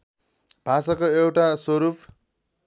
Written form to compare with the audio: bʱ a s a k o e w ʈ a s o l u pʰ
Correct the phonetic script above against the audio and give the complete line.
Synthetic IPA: bʱ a s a k o e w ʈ a s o ɾ u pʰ

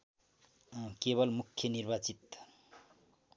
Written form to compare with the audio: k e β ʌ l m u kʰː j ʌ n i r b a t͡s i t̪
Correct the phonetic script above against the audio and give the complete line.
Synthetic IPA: k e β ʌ l m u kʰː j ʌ n i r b a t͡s i t̪

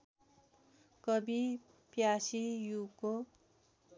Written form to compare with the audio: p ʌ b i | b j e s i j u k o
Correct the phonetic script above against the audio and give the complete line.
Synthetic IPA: k ʌ b i | p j a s i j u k o

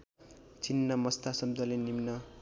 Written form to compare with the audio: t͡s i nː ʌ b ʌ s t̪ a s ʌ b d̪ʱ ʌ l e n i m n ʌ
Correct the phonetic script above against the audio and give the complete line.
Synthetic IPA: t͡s i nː ʌ m ʌ s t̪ a s ʌ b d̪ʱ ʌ l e n i m n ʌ

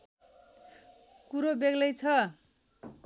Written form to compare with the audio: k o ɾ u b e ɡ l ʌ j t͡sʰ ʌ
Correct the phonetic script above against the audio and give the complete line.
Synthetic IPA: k u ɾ o b e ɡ l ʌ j t͡sʰ ʌ

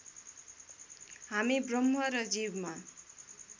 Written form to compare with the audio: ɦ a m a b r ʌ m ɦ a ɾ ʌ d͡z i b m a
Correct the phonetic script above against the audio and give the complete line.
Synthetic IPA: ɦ a m i b r ʌ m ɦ ʌ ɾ ʌ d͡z i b m a

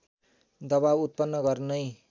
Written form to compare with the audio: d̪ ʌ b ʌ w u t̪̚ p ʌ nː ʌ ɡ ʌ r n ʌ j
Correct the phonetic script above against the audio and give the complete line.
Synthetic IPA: d̪ ʌ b a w u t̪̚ p ʌ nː ʌ ɡ ʌ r n ʌ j

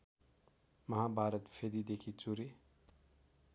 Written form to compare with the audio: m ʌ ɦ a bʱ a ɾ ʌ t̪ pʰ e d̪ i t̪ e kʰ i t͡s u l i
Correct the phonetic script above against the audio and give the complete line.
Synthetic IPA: m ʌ ɦ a bʱ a ɾ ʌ t̪ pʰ e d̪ i d̪ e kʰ i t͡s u ɾ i

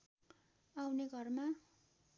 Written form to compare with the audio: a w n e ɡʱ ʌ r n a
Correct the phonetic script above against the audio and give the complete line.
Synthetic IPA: a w n e ɡʱ ʌ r m a

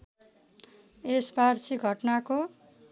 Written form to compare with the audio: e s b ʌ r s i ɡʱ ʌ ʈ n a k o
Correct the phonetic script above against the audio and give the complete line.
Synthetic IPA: e s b a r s i ɡʱ ʌ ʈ n a k o

